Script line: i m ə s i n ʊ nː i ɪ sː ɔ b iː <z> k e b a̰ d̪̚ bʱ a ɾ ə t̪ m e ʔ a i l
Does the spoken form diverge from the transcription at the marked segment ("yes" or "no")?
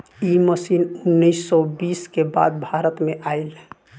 yes